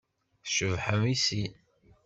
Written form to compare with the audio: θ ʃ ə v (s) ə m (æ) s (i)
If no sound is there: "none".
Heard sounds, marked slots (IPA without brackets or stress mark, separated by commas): ħ, i, i